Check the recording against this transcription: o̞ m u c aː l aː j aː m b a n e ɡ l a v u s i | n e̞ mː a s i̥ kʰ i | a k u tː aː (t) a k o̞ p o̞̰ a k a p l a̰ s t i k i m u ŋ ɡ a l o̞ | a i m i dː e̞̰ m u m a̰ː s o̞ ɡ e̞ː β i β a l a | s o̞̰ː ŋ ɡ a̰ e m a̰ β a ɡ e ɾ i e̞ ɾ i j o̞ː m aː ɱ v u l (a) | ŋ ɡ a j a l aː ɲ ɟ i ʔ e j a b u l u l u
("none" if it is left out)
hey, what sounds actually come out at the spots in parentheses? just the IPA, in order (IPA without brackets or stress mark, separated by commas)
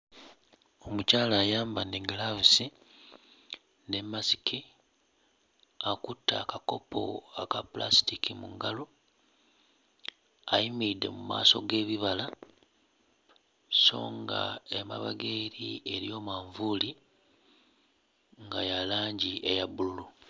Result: k, i